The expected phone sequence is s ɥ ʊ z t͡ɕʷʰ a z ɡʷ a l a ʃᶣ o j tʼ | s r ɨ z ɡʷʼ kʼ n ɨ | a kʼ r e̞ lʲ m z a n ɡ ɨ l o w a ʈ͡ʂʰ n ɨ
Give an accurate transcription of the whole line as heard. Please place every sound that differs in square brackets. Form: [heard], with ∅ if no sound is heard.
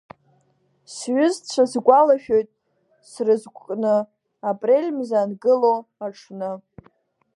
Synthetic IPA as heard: s ɥ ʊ z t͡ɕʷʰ a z ɡʷ a l a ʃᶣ o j tʼ | s r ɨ z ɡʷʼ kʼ n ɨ | a [pʼ] r e̞ lʲ m z a n ɡ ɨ l o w a ʈ͡ʂʰ n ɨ

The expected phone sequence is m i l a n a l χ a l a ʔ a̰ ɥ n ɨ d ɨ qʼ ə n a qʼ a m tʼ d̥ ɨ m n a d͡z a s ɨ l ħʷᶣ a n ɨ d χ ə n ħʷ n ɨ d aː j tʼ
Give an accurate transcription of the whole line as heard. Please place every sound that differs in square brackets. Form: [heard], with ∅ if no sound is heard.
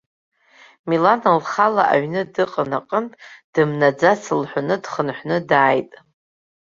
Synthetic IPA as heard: m i l a n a l χ a l a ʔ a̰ ɥ n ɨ d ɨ qʼ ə n a qʼ [ə] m tʼ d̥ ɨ m n a d͡z a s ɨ l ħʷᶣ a n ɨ d χ ə n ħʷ n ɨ d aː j tʼ

